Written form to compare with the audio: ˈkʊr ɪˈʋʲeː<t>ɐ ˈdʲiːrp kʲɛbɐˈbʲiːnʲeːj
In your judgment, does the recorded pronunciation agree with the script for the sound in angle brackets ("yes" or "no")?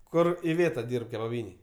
yes